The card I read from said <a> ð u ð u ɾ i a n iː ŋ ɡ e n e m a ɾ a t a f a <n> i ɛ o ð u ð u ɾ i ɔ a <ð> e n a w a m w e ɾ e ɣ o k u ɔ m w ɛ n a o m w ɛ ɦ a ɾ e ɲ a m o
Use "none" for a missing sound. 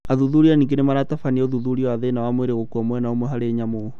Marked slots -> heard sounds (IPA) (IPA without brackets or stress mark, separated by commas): a, n, ð